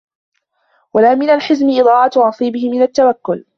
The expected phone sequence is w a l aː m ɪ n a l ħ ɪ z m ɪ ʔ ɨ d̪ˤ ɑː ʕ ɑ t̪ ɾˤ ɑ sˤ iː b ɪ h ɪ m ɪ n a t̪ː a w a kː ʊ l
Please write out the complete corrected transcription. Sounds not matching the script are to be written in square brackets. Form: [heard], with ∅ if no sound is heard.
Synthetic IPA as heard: w a l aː m ɪ n a l ħ ɪ z m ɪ ʔ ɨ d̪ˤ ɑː ʕ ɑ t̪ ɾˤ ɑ sˤ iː b ɪ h ɪ m ɪ n a t̪ː a w a kː ʊ l